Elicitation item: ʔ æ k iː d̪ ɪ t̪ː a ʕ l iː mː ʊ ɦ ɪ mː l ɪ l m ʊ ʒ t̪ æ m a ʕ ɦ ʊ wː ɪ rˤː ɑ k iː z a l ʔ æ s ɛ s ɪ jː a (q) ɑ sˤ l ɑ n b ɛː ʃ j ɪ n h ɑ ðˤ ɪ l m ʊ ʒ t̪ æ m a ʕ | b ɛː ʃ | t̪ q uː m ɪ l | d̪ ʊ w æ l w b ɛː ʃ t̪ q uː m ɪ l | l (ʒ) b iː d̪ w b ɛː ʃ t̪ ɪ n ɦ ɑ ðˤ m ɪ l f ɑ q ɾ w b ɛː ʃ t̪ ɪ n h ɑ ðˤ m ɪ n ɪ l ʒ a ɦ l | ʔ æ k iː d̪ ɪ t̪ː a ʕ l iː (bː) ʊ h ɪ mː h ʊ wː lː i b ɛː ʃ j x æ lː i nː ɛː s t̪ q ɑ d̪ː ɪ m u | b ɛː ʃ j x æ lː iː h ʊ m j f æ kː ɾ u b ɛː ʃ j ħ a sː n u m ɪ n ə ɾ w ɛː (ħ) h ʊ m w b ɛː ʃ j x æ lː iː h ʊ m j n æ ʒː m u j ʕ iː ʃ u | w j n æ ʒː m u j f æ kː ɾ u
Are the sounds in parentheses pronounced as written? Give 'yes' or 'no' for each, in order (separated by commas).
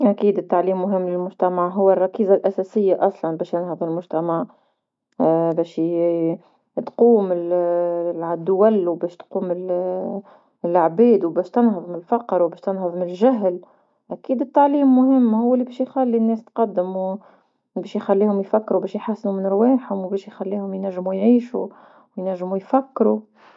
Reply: no, no, no, yes